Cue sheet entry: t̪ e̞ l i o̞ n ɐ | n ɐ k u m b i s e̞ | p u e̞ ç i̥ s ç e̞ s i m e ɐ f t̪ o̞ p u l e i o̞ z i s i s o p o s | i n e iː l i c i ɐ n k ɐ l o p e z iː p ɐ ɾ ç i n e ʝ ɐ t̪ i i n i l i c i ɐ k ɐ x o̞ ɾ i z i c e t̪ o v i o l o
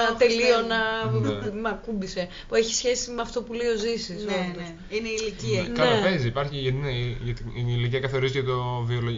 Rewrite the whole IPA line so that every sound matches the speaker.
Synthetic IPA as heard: t̪ e̞ l i o̞ n ɐ | m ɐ k u m b i s e̞ | p u e̞ ç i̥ s ç e̞ s i m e ɐ f t̪ o̞ p u l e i o̞ z i s i s o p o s | i n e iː l i c i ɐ n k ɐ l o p e z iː p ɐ ɾ ç i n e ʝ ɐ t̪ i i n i l i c i ɐ k ɐ θ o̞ ɾ i z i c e t̪ o v i o l o